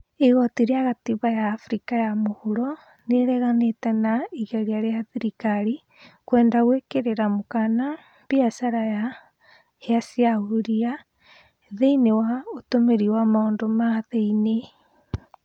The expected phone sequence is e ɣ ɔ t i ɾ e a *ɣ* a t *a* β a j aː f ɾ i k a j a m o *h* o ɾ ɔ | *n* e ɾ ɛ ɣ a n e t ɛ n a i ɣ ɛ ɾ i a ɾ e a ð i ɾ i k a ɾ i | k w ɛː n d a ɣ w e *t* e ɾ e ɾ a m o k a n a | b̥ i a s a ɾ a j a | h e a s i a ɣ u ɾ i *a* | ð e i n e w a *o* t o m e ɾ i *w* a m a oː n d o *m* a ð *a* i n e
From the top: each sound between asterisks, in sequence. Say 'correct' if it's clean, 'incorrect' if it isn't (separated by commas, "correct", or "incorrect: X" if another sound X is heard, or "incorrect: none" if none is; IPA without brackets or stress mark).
correct, incorrect: i, correct, correct, incorrect: k, correct, correct, correct, correct, incorrect: e